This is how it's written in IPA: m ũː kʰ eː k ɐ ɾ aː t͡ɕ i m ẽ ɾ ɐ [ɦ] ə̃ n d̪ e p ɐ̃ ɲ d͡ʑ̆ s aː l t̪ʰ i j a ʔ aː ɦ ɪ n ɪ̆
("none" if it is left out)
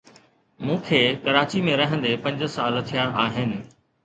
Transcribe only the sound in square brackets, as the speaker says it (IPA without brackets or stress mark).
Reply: ɦ